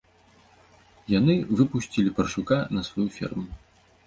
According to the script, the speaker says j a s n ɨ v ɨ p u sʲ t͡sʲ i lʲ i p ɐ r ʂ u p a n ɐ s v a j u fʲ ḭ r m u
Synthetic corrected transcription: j a n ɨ v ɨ p u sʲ t͡sʲ i lʲ i p ɐ r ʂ u k a n ɐ s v a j u fʲ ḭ r m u